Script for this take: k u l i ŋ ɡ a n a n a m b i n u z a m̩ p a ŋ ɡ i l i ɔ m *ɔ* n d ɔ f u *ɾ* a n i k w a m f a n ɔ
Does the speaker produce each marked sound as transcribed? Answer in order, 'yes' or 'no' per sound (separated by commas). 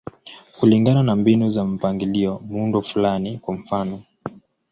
no, no